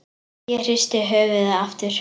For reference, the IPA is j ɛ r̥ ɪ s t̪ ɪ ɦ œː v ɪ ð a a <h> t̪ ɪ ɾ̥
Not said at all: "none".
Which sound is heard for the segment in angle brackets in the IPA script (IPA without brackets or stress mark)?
f